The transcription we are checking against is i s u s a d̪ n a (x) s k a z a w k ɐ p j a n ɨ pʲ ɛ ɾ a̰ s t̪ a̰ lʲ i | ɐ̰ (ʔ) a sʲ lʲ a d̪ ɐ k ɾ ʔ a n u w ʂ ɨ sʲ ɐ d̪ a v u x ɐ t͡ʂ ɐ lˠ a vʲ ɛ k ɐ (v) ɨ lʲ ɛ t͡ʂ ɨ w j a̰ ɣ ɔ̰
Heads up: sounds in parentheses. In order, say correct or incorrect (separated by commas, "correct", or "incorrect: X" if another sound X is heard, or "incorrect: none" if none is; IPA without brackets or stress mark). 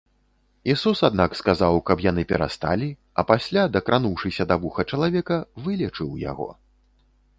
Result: incorrect: k, incorrect: p, correct